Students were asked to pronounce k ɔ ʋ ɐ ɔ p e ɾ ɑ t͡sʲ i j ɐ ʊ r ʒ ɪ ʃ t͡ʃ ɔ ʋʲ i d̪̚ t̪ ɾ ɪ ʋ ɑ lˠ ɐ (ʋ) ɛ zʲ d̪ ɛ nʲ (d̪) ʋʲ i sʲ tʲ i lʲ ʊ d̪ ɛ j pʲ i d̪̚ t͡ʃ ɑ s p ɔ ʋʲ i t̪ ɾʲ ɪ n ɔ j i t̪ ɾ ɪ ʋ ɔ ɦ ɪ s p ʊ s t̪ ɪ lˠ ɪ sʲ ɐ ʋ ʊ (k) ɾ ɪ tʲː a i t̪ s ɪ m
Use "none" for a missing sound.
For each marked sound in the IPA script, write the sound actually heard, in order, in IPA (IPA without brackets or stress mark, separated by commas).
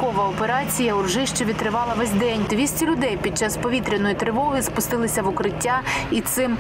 ʋ, d̪, k